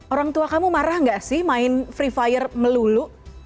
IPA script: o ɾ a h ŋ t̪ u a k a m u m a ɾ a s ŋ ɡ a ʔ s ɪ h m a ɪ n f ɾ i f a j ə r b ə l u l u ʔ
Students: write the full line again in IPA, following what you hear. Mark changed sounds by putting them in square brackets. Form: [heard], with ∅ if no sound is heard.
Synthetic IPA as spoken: o ɾ a [∅] ŋ t̪ u a k a m u m a ɾ a [h] ŋ ɡ a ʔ s ɪ h m a ɪ n f ɾ i f a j ə r [m] ə l u l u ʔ